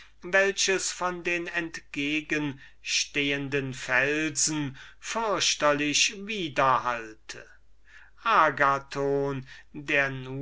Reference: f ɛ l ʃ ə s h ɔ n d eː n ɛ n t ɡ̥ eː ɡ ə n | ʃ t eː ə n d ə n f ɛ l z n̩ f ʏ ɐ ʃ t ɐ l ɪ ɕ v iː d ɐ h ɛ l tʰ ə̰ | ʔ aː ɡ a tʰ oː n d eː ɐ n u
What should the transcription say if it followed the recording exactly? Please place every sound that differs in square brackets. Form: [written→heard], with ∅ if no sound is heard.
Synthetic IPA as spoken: [f→v] ɛ l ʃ ə s [h→f] ɔ n d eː n ɛ n t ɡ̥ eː ɡ ə n | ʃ t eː ə n d ə n f ɛ l z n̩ f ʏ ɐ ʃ t ɐ l ɪ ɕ v iː d ɐ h [ɛ→a] l tʰ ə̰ | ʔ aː ɡ a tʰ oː n d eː ɐ n u

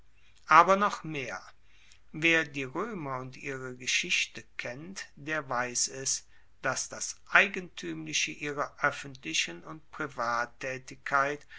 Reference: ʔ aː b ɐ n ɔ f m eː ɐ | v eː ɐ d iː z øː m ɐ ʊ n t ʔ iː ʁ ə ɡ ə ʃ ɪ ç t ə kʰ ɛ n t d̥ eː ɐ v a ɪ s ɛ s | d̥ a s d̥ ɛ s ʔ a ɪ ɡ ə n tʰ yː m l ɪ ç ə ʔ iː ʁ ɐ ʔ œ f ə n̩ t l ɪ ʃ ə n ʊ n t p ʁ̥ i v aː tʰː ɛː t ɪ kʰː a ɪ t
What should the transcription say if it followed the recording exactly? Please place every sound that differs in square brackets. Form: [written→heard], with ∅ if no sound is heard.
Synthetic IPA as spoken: ʔ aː b ɐ n ɔ [f→χ] m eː ɐ | v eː ɐ d iː [z→ʁ] øː m ɐ ʊ n t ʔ iː ʁ ə ɡ ə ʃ ɪ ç t ə kʰ ɛ n t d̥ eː ɐ v a ɪ s ɛ s | d̥ a s d̥ [ɛ→a] s ʔ a ɪ ɡ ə n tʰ yː m l ɪ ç ə ʔ iː ʁ ɐ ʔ œ f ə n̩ t l ɪ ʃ ə n ʊ n t p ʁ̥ i v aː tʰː ɛː t ɪ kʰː a ɪ t

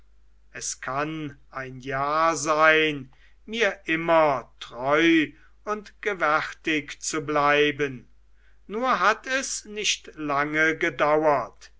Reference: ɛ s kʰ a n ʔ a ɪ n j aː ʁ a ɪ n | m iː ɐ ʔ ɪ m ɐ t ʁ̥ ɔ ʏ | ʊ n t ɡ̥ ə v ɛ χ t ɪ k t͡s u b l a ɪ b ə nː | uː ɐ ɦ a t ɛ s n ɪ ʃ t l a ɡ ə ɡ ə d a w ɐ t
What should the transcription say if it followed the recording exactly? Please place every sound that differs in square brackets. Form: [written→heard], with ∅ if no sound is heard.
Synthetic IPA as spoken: ɛ s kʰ a n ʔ a ɪ n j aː [ʁ→z] a ɪ n | m iː ɐ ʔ ɪ m ɐ t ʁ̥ ɔ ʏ | ʊ n t ɡ̥ ə v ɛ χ t ɪ k t͡s u b l a ɪ b ə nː | uː ɐ ɦ a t ɛ s n ɪ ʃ t l a [ɡ→ŋ] ə ɡ ə d a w ɐ t

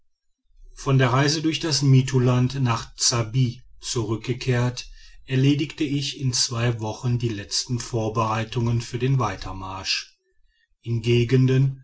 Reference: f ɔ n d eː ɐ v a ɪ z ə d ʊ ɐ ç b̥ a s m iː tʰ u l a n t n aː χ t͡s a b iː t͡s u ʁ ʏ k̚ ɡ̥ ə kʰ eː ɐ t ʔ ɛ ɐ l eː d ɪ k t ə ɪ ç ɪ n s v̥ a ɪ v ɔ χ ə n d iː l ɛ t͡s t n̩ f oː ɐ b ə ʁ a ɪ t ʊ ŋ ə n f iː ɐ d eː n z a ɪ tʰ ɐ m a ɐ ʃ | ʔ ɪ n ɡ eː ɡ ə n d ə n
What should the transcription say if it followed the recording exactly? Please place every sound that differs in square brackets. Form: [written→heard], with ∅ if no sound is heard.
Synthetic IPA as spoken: f ɔ n d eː ɐ [v→ʁ] a ɪ z ə d ʊ ɐ ç [b̥→d̥] a s m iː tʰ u l a n t n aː χ t͡s a b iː t͡s u ʁ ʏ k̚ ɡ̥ ə kʰ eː ɐ t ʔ ɛ ɐ l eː d ɪ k t ə ɪ ç ɪ n [s→t͡s] v̥ a ɪ v ɔ χ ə n d iː l ɛ t͡s t n̩ f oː ɐ b ə ʁ a ɪ t ʊ ŋ ə n f [iː→yː] ɐ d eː n [z→v] a ɪ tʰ ɐ m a ɐ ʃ | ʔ ɪ n ɡ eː ɡ ə n d ə n

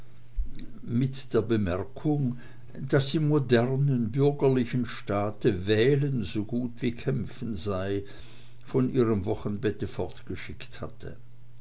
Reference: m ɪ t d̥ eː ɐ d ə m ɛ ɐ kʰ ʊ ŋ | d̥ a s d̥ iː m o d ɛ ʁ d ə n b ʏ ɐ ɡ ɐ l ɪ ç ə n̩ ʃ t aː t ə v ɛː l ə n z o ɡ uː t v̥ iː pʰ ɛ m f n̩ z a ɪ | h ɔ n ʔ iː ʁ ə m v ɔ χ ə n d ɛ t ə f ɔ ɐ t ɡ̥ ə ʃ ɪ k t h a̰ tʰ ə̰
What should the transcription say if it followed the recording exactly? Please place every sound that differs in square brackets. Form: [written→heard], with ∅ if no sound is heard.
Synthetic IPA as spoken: m ɪ t d̥ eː ɐ [d→b] ə m ɛ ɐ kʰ ʊ ŋ | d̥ a s d̥ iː m o d ɛ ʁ [d→n] ə n b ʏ ɐ ɡ ɐ l ɪ ç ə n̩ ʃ t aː t ə v ɛː l ə n z o ɡ uː t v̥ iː [pʰ→kʰ] ɛ m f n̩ z a ɪ | [h→f] ɔ n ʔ iː ʁ ə m v ɔ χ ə n [d→b] ɛ t ə f ɔ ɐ t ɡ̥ ə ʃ ɪ k t h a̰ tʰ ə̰

